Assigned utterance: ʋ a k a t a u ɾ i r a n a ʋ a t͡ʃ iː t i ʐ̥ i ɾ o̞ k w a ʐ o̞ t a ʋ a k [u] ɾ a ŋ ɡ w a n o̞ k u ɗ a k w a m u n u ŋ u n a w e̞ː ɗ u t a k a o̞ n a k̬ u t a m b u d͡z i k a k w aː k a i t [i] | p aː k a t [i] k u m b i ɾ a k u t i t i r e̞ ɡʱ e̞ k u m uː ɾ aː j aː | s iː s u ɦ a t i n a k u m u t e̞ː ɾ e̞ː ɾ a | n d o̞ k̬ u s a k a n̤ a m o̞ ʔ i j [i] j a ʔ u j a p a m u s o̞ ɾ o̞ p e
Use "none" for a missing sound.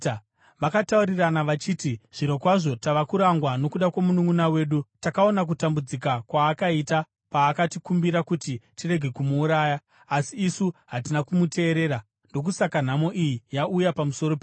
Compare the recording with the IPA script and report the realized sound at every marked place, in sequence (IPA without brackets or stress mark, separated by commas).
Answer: u, a, i, i